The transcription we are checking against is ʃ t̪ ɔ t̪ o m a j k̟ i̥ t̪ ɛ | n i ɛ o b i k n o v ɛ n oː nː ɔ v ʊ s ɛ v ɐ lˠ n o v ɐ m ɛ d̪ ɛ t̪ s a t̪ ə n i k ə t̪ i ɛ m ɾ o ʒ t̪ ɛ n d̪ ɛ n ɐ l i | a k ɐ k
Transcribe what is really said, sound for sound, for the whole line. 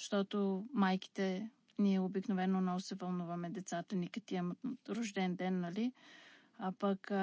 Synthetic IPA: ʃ t̪ ɔ t̪ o m a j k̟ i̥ t̪ ɛ | n i ɛ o b i k n o v ɛ n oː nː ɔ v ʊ s ɛ v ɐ lˠ n u v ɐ m ɛ d̪ ɛ t̪ s a t̪ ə n i k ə t̪ i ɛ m ɾ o ʒ d̪ ɛ n d̪ ɛ nː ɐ l i | a p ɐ k